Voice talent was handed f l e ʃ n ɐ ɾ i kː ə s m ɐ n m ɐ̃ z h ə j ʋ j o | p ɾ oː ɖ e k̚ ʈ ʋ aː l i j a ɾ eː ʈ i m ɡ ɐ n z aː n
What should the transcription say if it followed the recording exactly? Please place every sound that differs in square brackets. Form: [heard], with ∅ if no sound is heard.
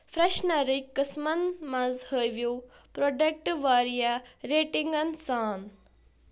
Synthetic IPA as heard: f [ɾ] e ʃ n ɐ ɾ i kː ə s m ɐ n m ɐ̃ z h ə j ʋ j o | p ɾ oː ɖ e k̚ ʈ ʋ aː [ɾ] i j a ɾ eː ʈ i [ŋ] ɡ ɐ n [s] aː n